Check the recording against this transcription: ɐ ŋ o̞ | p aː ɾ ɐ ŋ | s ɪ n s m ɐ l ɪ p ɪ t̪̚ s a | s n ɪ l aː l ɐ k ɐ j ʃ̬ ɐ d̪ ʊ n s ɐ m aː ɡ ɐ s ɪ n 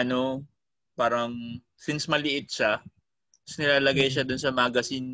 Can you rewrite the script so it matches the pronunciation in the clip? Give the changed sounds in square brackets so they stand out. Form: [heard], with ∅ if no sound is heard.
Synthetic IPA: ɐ [n] o̞ | p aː ɾ ɐ ŋ | s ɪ n s m ɐ l ɪ [ʔ] ɪ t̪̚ [ʃ] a | s n ɪ l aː l ɐ [ɡ] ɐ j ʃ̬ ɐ d̪ ʊ n s ɐ m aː ɡ ɐ s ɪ n